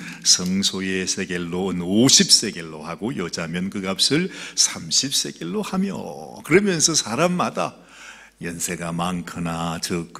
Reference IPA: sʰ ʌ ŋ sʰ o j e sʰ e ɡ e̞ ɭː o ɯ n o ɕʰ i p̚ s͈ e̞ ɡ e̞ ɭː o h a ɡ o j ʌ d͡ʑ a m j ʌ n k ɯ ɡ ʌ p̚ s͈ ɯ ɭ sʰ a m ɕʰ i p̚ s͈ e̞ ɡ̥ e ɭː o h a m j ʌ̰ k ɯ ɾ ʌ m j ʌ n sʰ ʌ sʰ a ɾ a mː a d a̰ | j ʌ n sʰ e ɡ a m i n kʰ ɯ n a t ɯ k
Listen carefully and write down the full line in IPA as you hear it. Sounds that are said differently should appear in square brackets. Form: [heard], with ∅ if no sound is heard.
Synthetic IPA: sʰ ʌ ŋ sʰ o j e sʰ e ɡ e̞ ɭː o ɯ n o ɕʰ i p̚ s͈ e̞ ɡ e̞ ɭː o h a ɡ o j ʌ d͡ʑ a m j ʌ n k ɯ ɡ [a] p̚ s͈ ɯ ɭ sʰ a m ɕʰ i p̚ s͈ e̞ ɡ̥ e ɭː o h a m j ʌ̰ k ɯ ɾ ʌ m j ʌ n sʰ ʌ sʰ a ɾ a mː a d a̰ | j ʌ n sʰ e ɡ a m [a] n kʰ ɯ n a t ɯ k